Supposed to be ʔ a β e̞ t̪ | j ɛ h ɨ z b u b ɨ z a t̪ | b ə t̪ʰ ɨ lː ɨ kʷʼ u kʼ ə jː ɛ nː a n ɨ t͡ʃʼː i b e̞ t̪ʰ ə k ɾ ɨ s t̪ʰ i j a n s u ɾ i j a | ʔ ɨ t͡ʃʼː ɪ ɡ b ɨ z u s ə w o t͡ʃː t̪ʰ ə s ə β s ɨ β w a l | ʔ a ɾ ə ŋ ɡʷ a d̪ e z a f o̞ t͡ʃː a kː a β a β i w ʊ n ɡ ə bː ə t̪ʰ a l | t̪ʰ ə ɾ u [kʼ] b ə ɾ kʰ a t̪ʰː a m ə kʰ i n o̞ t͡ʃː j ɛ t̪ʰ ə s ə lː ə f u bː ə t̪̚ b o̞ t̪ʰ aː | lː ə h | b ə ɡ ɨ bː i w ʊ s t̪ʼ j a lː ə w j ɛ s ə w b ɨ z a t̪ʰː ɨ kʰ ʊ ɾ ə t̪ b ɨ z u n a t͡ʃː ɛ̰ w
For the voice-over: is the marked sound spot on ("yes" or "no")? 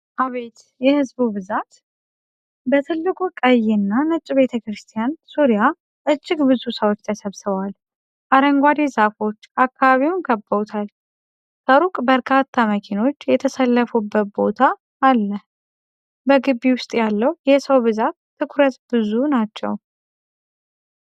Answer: yes